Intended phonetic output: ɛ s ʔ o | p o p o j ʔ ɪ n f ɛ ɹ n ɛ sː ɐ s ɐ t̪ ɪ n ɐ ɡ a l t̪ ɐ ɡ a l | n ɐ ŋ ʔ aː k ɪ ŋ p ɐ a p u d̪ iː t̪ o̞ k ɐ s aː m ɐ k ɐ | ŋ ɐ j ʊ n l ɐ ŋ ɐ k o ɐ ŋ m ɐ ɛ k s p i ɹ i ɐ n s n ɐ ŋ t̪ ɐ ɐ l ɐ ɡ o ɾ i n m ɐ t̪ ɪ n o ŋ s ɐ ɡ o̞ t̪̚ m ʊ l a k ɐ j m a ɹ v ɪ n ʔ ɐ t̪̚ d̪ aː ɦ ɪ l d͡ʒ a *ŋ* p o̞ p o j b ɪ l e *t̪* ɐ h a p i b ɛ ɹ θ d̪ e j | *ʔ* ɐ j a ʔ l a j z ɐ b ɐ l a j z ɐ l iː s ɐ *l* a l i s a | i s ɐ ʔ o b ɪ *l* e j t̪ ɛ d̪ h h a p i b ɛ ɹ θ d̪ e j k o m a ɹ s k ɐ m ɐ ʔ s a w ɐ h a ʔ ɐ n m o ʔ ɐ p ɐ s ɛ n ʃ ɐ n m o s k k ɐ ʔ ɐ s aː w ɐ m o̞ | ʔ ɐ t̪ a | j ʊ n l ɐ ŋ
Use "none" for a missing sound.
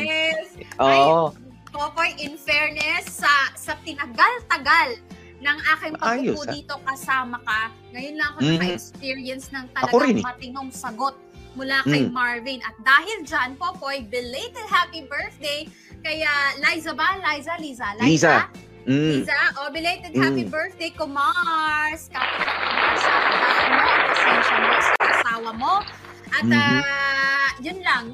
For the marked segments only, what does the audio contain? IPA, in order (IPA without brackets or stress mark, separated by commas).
n, t̪, k, l, l